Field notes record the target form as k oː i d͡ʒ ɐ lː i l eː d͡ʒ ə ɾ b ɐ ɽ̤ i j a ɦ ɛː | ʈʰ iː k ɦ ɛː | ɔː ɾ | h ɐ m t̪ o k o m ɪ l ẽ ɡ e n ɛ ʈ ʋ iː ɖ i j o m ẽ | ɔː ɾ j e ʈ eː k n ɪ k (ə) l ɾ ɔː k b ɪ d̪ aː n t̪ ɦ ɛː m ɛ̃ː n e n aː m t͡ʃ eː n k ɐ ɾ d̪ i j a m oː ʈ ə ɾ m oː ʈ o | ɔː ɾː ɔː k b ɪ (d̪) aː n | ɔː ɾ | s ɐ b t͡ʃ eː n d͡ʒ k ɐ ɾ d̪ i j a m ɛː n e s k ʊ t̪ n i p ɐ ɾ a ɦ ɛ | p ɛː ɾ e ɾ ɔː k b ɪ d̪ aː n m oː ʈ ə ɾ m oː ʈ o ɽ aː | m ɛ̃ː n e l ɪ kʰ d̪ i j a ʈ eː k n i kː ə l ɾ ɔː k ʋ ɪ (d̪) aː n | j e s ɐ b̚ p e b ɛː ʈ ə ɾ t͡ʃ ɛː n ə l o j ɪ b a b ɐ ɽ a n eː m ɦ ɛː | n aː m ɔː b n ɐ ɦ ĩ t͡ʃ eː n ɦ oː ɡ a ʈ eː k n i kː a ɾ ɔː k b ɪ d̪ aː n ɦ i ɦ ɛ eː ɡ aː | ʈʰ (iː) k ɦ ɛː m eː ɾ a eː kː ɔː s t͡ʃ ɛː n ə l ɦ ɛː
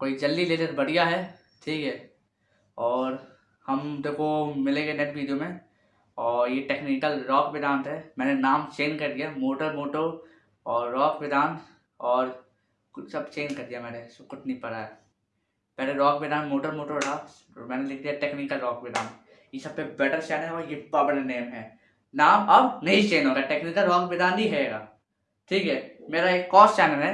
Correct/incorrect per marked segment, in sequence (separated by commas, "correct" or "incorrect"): correct, correct, correct, correct